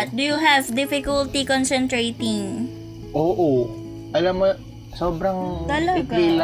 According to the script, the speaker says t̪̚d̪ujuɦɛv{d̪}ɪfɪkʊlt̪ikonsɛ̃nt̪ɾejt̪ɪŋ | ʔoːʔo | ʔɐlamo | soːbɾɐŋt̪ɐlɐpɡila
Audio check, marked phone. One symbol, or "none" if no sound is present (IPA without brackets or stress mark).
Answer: d̪